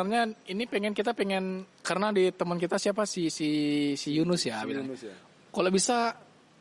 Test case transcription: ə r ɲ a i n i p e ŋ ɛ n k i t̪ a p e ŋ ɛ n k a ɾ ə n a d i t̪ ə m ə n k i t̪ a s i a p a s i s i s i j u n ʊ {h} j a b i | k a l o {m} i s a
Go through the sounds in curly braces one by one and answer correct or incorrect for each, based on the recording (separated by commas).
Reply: incorrect, incorrect